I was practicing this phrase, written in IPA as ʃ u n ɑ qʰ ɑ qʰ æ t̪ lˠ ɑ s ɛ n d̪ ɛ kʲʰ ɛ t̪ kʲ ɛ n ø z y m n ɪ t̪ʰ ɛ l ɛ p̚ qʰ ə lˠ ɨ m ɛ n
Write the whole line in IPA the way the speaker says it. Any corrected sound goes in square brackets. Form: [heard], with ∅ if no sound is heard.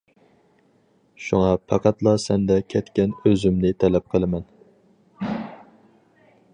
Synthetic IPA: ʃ u [ŋ] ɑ [pʰ] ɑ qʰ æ t̪ lˠ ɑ s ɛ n d̪ ɛ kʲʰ ɛ t̪ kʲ ɛ n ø z y m n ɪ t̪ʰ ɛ l ɛ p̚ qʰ ə lˠ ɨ m ɛ n